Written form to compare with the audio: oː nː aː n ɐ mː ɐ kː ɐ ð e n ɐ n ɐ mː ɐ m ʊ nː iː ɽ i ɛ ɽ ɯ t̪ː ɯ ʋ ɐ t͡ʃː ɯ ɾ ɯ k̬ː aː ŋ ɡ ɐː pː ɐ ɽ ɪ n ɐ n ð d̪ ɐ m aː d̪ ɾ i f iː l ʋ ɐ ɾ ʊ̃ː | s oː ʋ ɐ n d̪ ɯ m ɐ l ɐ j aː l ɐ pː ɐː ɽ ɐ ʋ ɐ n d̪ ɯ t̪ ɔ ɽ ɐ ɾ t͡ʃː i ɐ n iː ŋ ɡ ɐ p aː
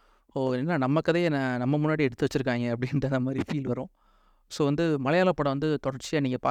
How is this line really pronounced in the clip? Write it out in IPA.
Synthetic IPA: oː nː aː n ɐ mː ɐ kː ɐ ð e n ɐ n ɐ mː ɐ m ʊ nː aː ɽ i ɛ ɽ ɯ t̪ː ɯ ʋ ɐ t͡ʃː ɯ ɾ ɯ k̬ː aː ŋ ɡ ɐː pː ɐ ɽ ɪ n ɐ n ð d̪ ɐ m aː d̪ ɾ i f iː l ʋ ɐ ɾ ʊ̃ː | s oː ʋ ɐ n d̪ ɯ m ɐ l ɐ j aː l ɐ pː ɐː ɽ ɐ ʋ ɐ n d̪ ɯ t̪ ɔ ɽ ɐ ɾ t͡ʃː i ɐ n iː ŋ ɡ ɐ p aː